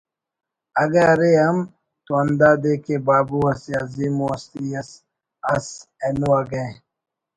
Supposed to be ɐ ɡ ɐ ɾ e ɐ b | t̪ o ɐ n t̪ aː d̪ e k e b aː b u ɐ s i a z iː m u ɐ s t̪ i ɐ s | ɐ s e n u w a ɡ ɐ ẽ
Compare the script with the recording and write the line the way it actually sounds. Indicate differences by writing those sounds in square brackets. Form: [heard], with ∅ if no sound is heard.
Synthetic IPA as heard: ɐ ɡ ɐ ɾ e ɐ [m] | t̪ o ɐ n [d̪] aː d̪ e k e b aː b u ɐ s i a z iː m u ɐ s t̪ i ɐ s | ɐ s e n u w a ɡ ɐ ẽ